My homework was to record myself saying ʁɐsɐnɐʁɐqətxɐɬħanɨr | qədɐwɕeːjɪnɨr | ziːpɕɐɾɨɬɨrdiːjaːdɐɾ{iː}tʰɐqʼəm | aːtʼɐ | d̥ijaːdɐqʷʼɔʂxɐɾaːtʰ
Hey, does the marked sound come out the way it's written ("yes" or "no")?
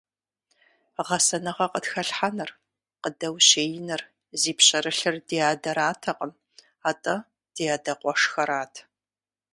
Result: no